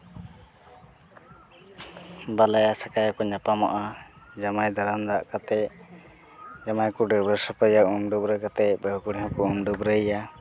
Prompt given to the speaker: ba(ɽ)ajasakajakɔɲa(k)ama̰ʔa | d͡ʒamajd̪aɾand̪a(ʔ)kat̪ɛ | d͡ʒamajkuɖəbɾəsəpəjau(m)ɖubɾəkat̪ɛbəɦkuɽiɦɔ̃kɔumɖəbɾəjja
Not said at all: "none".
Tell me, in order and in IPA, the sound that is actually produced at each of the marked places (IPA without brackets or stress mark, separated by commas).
l, p, ʔ, m